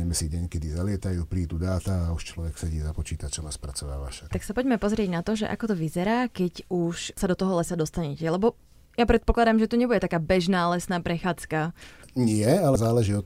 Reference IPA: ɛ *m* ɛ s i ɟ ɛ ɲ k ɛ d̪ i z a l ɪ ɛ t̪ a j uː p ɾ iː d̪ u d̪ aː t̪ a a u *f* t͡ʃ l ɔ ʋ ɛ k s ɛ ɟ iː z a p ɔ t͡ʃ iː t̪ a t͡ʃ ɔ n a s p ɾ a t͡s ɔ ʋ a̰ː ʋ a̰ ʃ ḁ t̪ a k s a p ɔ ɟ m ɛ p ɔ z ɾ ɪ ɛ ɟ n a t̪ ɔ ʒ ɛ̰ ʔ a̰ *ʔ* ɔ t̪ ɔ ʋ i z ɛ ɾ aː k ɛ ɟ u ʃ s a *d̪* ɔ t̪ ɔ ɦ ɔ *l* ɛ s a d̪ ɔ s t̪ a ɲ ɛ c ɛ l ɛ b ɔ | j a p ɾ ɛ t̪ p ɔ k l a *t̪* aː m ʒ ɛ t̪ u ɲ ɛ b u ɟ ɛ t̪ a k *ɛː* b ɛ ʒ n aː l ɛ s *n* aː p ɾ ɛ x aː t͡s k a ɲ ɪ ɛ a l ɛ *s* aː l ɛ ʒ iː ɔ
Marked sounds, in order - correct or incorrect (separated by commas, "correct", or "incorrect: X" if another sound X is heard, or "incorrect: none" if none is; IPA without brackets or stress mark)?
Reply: correct, incorrect: ʃ, incorrect: k, correct, correct, incorrect: d̪, incorrect: aː, correct, incorrect: z